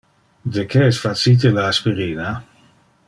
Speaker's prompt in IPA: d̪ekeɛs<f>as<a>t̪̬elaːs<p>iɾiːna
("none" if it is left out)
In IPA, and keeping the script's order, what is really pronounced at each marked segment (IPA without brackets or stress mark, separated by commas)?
f, i, p